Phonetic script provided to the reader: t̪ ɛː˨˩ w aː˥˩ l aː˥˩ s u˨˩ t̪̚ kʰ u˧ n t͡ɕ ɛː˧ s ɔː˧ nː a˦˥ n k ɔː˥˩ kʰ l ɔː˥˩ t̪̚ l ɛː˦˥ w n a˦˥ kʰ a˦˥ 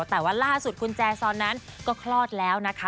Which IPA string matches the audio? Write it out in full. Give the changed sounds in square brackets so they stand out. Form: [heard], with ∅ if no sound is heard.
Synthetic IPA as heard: t̪ ɛː˨˩ w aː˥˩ l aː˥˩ s u˨˩ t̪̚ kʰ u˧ n t͡ɕ ɛː˧ s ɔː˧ nː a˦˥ n k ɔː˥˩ kʰ l ɔː˥˩ t̪̚ l ɛː˦˥ w n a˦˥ kʰ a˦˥